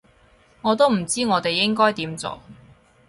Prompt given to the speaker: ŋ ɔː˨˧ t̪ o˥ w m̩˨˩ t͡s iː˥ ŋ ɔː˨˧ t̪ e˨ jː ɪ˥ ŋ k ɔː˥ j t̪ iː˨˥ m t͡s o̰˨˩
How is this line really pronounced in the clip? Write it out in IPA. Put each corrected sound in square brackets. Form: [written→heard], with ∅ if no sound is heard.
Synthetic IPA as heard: ŋ ɔː˨˧ t̪ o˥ w m̩˨˩ t͡s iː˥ ŋ ɔː˨˧ t̪ e˨ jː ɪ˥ ŋ k ɔː˥ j t̪ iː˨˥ m t͡s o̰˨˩